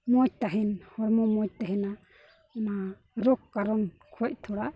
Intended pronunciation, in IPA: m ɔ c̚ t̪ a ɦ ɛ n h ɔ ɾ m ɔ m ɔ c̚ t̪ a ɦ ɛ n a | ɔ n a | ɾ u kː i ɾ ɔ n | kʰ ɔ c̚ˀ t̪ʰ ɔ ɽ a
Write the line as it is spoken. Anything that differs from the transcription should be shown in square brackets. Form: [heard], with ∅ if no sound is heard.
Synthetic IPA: m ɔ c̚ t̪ a ɦ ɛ n h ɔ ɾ m ɔ m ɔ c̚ t̪ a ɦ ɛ n a | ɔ n a | ɾ [ɔ] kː [a] ɾ ɔ n | kʰ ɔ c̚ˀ t̪ʰ ɔ ɽ a